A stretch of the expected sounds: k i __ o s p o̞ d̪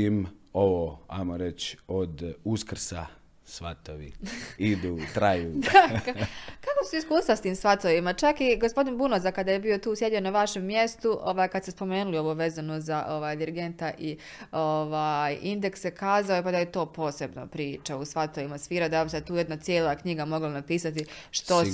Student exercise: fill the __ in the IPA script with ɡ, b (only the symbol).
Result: ɡ